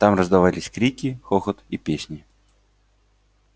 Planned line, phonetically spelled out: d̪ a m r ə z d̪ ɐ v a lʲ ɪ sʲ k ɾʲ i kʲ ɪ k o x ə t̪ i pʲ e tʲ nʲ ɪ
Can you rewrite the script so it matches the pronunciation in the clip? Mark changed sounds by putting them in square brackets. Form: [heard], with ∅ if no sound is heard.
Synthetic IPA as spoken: [t̪] a m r ə z d̪ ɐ v a lʲ ɪ sʲ k ɾʲ i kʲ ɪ [x] o x ə t̪ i pʲ e [sʲ] nʲ ɪ

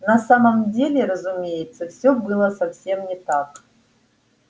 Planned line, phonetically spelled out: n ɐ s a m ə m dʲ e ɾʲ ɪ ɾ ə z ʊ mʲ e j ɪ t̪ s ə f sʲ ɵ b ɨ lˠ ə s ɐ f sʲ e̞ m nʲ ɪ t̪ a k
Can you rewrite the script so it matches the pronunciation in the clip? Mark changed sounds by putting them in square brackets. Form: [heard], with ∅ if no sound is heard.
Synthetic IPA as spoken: n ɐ s a m ə m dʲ e [lʲ] ɪ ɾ ə z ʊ mʲ e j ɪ t̪ s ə f sʲ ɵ b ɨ lˠ ə s ɐ f sʲ e̞ m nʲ ɪ t̪ a k

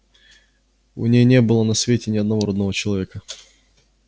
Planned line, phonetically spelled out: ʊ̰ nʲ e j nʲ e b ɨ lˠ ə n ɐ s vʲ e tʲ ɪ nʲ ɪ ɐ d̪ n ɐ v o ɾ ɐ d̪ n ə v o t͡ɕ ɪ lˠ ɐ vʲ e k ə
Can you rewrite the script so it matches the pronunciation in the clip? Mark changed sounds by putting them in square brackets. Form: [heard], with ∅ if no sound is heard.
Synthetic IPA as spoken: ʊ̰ nʲ e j nʲ e b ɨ lˠ ə n ɐ s vʲ e tʲ ɪ nʲ ɪ ɐ d̪ n ɐ v o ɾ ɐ d̪ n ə v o t͡ɕ ɪ lˠ ɐ vʲ e k ə

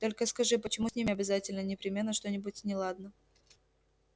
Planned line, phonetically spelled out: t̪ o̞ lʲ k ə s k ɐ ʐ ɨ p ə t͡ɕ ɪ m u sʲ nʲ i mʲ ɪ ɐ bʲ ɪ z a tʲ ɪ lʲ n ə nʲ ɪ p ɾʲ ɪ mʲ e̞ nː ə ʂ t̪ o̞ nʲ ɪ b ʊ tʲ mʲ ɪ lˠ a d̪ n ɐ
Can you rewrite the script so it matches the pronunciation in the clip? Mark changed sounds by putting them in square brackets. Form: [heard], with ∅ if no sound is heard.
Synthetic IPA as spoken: t̪ o̞ lʲ k ə s k ɐ ʐ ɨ p ə t͡ɕ ɪ m u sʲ nʲ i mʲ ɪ ɐ bʲ ɪ z a tʲ ɪ lʲ n ə nʲ ɪ p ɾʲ ɪ mʲ e̞ nː ə ʂ t̪ o̞ nʲ ɪ b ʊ tʲ [nʲ] ɪ lˠ a d̪ n [ə]

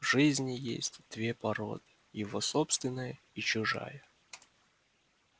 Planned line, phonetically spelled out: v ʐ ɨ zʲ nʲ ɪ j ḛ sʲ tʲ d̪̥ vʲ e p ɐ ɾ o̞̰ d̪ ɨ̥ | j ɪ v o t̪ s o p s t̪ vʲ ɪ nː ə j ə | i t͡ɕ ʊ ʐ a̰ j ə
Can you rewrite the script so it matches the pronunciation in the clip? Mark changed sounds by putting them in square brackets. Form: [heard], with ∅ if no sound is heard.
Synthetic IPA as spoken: v ʐ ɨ zʲ nʲ ɪ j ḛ sʲ tʲ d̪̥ vʲ e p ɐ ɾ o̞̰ d̪ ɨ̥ | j ɪ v o [∅] s o p s t̪ vʲ ɪ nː ə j ə | i t͡ɕ ʊ ʐ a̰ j ə

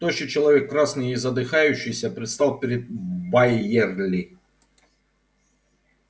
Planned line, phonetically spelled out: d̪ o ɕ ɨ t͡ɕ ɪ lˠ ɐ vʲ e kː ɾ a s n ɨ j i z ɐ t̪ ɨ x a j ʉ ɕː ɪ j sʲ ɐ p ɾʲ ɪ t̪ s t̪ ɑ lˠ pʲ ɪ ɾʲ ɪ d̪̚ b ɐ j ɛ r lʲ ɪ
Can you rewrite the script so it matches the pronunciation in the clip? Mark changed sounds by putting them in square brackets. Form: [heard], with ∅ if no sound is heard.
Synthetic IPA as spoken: [t̪] o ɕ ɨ t͡ɕ ɪ lˠ ɐ vʲ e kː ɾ a s n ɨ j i z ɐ [d̪] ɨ x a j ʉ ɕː ɪ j sʲ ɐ p ɾʲ ɪ t̪ s t̪ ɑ lˠ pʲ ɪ ɾʲ ɪ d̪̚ b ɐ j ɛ r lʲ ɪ

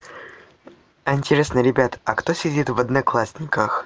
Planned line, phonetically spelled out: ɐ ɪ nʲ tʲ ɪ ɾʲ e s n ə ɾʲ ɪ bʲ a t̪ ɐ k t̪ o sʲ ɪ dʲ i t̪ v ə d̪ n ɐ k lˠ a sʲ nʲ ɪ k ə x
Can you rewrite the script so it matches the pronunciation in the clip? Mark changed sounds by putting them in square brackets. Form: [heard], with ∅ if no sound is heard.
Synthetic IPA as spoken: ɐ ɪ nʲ tʲ ɪ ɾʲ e s n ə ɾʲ ɪ bʲ a t̪ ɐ k t̪ o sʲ ɪ dʲ i t̪ v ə d̪ n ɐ k lˠ a sʲ nʲ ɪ k ə x

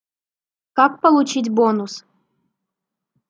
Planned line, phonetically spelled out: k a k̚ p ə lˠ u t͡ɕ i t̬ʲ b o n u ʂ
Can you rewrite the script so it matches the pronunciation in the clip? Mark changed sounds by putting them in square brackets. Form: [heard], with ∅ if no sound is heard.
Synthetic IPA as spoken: k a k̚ p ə lˠ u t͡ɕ i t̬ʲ b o n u [s]

